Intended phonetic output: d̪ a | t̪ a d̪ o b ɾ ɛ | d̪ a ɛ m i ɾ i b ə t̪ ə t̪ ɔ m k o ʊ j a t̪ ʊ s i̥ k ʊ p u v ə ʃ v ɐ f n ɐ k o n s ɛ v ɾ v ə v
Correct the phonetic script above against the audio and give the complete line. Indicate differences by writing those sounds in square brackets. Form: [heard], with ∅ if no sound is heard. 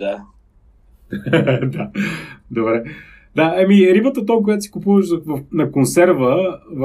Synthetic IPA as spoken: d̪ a | [d̪] a d̪ o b ɾ ɛ | d̪ a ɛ m i ɾ i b ə t̪ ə t̪ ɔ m k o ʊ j a t̪ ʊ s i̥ k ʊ p u v ə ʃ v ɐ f n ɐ k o n s ɛ [∅] ɾ v ə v